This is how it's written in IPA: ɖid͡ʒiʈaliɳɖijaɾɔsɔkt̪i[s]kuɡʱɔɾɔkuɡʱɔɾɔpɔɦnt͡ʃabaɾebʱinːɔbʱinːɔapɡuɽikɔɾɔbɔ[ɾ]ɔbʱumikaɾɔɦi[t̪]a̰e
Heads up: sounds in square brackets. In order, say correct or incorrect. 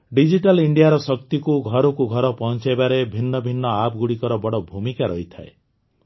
incorrect: none, incorrect: ɽ, incorrect: t̪ʰ

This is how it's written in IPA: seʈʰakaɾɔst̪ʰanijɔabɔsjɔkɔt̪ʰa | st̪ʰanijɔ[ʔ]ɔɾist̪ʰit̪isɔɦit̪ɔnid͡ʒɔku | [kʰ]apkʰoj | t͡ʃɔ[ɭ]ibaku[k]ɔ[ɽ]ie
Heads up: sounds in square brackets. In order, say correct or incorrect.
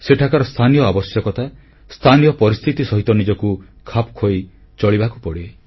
incorrect: p, correct, correct, incorrect: p, correct

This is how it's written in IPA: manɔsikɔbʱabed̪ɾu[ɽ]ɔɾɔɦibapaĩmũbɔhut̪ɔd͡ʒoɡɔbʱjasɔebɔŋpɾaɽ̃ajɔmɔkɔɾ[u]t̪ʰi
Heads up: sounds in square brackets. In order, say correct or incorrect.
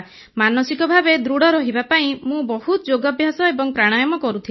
correct, correct

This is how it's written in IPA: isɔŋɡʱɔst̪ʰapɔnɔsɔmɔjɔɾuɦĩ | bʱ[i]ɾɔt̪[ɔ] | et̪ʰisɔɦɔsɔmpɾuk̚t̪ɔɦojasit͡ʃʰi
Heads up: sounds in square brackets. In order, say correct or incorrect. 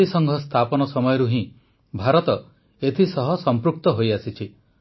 incorrect: a, correct

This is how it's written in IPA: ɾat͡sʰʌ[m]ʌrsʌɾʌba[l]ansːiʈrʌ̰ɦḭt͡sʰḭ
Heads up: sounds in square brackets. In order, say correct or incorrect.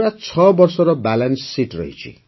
incorrect: b, correct

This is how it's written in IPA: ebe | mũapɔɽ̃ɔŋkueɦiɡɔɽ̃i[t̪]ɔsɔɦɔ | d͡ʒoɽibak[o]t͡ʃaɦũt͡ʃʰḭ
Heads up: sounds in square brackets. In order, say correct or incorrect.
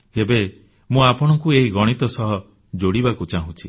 correct, incorrect: u

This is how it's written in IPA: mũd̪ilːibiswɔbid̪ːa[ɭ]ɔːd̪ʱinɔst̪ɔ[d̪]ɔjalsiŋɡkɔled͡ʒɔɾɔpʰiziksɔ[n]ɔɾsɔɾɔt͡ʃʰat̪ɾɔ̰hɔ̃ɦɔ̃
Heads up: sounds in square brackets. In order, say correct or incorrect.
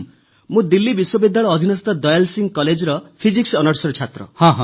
correct, correct, correct

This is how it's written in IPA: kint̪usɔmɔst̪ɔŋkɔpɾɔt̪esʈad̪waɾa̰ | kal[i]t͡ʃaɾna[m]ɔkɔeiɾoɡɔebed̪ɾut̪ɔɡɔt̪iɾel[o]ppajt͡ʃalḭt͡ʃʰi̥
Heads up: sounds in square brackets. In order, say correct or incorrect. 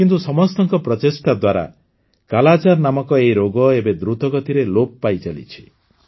incorrect: a, correct, correct

